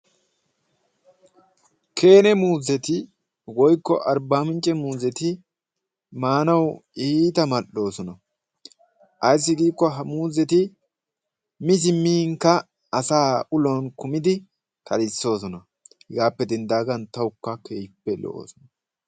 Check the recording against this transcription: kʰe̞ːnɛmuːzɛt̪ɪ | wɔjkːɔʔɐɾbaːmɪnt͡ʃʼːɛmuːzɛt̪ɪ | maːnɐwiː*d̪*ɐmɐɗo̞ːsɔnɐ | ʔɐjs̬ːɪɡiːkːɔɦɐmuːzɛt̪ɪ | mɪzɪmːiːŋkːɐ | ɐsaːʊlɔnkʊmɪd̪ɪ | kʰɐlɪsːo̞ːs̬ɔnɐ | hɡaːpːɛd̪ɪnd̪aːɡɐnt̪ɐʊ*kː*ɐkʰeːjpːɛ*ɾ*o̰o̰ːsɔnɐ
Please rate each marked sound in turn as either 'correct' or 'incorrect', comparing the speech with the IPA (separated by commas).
incorrect, correct, incorrect